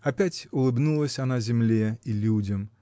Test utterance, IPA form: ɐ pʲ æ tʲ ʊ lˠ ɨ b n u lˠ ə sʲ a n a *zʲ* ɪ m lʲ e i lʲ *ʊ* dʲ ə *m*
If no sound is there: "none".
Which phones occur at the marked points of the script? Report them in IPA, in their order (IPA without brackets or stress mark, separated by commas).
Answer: zʲ, u, m